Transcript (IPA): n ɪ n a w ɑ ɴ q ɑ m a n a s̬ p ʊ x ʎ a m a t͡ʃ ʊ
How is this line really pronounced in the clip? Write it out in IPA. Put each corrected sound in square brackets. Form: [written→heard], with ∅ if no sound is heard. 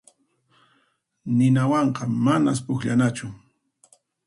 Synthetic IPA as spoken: n ɪ n a w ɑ ɴ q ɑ m a n a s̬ p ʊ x ʎ a [m→n] a t͡ʃ ʊ